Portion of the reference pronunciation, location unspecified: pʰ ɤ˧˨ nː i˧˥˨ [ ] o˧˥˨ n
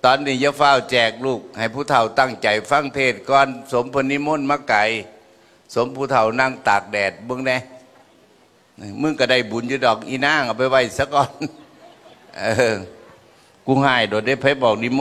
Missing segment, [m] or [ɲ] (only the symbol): m